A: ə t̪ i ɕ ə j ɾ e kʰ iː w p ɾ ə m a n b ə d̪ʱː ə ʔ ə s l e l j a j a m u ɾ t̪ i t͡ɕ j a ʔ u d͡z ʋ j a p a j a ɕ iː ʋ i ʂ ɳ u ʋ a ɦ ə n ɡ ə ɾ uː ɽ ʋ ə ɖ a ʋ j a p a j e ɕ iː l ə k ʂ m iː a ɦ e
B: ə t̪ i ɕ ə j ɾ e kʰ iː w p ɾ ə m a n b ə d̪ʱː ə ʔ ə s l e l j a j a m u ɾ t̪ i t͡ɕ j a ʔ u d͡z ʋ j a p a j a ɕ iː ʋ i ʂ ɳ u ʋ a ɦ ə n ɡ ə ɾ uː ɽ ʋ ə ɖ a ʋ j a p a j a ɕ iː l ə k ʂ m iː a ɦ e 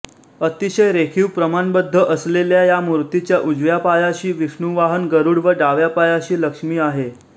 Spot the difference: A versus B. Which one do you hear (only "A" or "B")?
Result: B